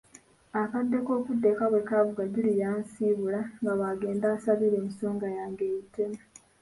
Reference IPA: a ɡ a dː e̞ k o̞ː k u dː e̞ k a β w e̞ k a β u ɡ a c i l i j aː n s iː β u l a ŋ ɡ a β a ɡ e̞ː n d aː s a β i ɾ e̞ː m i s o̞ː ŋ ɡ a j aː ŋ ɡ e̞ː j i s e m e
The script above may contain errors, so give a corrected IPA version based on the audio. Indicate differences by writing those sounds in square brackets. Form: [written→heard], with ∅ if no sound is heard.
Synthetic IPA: a [ɡ→k] a dː e̞ k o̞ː k u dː e̞ k a β w e̞ k a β u ɡ a [c→ɟ] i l i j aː n s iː β u l a ŋ ɡ a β a ɡ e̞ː n d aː s a β i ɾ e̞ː m i s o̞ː ŋ ɡ a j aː ŋ ɡ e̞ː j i [s→t] e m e